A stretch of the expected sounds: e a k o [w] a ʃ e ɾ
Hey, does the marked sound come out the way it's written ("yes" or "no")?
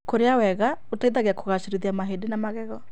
no